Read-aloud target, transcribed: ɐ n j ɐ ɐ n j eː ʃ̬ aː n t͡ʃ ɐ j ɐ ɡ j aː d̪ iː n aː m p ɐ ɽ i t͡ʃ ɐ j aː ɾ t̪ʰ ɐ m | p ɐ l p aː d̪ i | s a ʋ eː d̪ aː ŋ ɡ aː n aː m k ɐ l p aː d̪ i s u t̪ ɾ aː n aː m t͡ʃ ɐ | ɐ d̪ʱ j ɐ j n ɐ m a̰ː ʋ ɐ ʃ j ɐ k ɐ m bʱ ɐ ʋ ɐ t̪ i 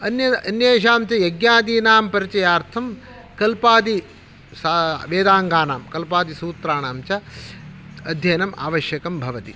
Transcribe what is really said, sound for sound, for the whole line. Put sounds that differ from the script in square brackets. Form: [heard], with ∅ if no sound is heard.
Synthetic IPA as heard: ɐ n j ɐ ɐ n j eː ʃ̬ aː [m] t͡ʃ ɐ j ɐ ɡ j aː d̪ iː n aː m p ɐ [ɾ] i t͡ʃ ɐ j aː ɾ t̪ʰ ɐ m | [k] ɐ l p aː d̪ i | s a ʋ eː d̪ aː ŋ ɡ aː n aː m k ɐ l p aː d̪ i s [uː] t̪ ɾ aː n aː m t͡ʃ ɐ | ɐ d̪ʱ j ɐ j n ɐ m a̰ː ʋ ɐ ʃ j ɐ k ɐ m bʱ ɐ ʋ ɐ t̪ i